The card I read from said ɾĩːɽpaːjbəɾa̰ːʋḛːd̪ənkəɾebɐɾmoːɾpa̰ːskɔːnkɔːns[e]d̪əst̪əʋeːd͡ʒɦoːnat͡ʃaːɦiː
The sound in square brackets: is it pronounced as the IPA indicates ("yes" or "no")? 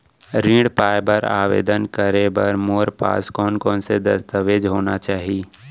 yes